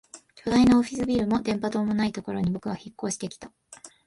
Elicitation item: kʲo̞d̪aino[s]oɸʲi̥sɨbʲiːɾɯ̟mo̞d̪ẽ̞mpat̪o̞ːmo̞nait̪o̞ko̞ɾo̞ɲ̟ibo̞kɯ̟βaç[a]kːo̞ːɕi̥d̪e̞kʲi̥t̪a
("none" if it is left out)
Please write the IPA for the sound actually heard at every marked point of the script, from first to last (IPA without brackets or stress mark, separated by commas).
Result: none, i